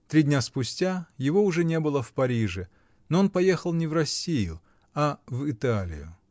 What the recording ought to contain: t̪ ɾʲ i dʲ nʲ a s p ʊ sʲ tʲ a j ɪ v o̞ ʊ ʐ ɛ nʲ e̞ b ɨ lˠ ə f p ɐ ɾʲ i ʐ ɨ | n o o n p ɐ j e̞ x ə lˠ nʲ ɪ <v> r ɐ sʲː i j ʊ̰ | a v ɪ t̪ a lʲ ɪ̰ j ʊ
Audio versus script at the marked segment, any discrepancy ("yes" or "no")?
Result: no